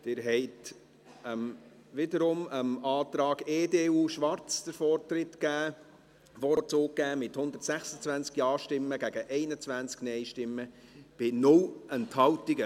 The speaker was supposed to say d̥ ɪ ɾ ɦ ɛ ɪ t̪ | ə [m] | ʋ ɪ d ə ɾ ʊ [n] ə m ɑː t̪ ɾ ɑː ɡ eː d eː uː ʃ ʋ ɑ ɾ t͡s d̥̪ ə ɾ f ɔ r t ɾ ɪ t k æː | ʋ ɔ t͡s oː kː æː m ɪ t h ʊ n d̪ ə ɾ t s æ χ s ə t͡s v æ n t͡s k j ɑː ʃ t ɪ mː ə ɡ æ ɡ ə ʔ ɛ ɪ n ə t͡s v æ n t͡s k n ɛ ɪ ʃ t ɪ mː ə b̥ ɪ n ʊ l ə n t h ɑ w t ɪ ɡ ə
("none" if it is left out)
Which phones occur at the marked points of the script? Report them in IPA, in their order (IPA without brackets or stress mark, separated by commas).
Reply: m, m